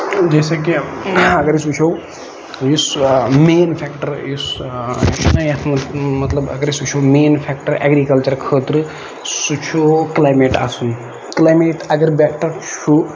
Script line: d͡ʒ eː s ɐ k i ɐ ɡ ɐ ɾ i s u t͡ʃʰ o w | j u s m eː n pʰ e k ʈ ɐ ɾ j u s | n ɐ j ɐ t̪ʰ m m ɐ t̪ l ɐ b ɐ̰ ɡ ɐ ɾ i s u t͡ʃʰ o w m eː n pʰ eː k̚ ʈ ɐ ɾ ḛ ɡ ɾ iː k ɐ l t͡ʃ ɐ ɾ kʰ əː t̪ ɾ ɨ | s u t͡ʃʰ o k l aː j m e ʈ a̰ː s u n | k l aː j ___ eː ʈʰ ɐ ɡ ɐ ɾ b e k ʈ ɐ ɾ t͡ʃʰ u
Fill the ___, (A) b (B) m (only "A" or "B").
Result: B